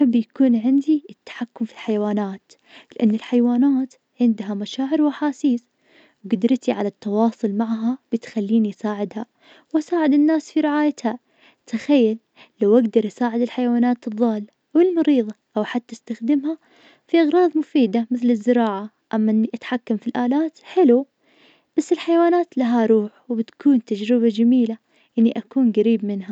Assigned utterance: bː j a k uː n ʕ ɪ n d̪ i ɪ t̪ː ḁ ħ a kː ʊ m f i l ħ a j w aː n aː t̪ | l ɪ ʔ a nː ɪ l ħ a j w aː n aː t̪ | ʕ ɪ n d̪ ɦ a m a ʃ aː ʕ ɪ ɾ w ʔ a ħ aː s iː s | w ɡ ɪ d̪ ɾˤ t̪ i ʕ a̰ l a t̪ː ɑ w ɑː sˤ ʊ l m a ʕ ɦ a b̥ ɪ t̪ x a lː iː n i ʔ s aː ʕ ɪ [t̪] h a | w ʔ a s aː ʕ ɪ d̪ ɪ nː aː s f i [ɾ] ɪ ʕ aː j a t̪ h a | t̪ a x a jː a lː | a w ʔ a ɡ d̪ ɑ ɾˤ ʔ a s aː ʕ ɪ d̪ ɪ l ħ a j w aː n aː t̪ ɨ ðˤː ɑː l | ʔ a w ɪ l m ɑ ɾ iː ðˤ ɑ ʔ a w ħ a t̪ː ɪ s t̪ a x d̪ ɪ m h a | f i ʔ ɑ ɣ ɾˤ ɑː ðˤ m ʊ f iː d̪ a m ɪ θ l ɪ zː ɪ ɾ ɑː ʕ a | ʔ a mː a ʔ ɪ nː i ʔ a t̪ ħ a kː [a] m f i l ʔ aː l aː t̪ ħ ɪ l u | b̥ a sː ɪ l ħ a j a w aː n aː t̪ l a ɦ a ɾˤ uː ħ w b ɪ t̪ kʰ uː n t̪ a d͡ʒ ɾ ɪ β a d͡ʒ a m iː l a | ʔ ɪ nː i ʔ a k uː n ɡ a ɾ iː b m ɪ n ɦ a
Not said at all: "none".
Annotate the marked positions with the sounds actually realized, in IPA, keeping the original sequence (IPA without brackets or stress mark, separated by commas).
d̪, ɾ, a